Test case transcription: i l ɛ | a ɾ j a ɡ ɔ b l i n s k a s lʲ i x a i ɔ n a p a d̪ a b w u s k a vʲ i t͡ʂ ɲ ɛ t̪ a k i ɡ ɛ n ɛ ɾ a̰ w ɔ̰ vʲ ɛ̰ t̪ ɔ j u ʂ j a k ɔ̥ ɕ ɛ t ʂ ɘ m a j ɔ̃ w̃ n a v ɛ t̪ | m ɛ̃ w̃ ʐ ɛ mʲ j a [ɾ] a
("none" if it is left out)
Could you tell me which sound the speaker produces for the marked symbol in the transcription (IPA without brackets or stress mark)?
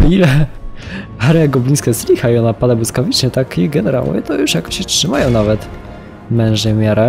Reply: ɾ